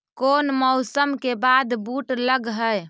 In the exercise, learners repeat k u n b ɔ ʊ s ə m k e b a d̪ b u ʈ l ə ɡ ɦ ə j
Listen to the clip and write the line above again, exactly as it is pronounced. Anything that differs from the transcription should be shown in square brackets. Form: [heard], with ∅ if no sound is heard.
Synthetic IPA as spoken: k [o] n [m] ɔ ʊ s ə m k e b a d̪ b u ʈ l ə ɡ ɦ ə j